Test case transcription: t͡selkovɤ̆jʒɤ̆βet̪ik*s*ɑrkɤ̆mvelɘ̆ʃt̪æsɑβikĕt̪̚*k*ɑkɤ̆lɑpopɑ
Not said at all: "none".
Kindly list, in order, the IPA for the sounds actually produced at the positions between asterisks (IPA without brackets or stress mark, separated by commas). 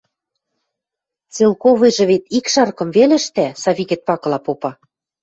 ʃ, p